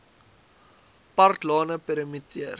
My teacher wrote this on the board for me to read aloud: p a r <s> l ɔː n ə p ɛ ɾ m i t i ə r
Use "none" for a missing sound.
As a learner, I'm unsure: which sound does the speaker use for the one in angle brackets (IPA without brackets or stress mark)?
t